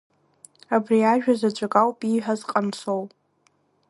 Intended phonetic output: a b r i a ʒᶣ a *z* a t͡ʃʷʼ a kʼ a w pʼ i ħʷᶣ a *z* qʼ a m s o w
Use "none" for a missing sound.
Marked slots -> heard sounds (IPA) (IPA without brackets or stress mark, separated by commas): z, z